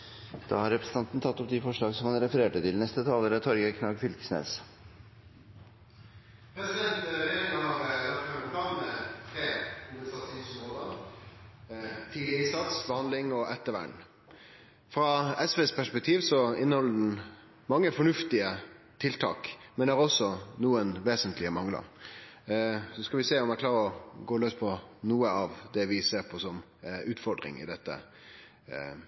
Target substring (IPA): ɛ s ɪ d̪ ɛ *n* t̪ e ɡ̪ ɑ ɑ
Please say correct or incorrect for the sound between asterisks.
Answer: correct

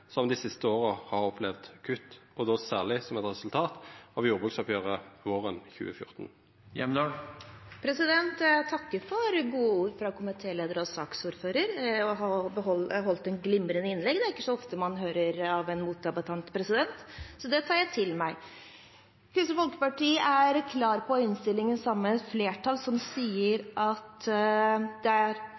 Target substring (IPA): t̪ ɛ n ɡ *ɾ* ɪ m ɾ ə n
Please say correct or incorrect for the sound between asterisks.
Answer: incorrect: l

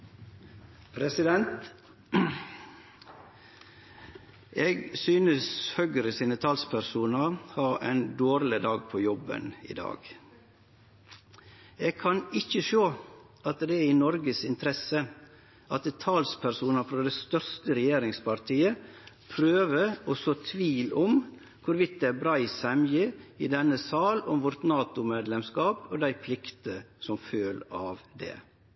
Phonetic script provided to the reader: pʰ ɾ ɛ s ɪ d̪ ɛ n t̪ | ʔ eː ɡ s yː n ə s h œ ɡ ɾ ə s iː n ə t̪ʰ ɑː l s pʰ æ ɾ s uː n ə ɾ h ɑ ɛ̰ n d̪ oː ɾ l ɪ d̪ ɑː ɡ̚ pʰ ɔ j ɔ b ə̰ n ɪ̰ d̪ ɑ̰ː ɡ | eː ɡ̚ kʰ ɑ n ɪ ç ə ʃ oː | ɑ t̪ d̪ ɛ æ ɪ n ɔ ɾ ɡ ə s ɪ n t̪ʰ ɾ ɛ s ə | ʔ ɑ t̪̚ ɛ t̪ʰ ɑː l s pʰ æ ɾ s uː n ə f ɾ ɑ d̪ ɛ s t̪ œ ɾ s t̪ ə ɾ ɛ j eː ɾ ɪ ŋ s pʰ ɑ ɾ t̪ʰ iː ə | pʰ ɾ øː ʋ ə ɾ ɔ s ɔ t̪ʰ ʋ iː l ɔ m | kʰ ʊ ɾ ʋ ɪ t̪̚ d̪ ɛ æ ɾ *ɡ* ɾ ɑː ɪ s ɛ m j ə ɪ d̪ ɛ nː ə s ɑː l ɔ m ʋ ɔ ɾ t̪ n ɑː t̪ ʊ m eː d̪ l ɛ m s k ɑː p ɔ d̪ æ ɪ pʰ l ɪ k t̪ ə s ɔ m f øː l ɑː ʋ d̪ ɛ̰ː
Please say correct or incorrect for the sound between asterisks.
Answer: incorrect: b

